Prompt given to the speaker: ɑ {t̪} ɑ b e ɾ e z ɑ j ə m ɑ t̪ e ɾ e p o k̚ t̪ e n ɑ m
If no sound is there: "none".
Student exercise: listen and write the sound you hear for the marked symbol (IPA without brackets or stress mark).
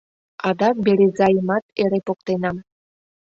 d̪